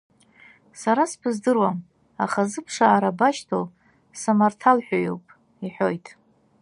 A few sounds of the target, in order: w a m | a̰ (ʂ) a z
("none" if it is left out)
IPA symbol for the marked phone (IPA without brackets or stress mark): χ